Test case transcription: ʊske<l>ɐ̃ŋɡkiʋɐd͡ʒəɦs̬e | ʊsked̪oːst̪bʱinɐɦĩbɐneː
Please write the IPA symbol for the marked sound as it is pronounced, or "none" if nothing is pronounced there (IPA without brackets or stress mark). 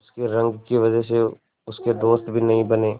ɾ